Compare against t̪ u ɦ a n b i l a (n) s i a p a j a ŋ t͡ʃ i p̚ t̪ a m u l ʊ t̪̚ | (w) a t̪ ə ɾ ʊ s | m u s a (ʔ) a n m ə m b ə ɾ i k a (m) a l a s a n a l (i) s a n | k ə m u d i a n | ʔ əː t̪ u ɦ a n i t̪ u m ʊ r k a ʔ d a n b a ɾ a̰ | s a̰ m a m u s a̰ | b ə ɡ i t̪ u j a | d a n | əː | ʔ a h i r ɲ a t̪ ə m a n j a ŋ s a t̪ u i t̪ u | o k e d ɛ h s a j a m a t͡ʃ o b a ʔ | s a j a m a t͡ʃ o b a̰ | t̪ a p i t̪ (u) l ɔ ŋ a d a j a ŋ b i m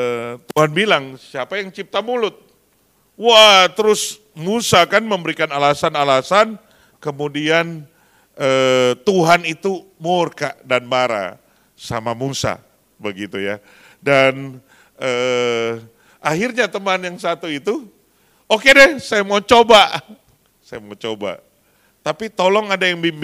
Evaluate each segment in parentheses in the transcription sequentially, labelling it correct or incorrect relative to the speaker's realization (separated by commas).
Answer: incorrect, correct, incorrect, incorrect, incorrect, incorrect